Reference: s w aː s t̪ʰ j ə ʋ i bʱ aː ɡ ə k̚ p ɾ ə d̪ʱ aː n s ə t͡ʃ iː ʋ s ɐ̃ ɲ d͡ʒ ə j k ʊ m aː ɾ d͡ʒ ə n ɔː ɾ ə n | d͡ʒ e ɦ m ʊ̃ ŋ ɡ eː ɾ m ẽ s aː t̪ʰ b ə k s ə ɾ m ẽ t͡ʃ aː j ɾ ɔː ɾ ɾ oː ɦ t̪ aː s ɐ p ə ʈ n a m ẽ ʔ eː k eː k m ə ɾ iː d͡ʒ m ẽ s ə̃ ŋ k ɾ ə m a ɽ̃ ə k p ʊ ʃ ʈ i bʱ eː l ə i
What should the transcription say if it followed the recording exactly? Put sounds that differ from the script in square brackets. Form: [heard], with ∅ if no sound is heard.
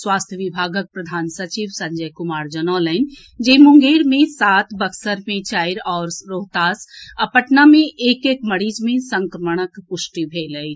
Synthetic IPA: s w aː s t̪ʰ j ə ʋ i bʱ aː ɡ ə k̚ p ɾ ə d̪ʱ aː n s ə t͡ʃ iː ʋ s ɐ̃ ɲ d͡ʒ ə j k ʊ m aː ɾ d͡ʒ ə n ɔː [l] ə n | d͡ʒ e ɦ m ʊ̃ ŋ ɡ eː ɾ m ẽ s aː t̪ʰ b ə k s ə ɾ m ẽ t͡ʃ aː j ɾ ɔː ɾ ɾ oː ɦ t̪ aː s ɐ p ə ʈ n a m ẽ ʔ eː k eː k m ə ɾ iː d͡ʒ m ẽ s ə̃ ŋ k ɾ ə m [ə] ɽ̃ ə k p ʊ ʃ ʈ i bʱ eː l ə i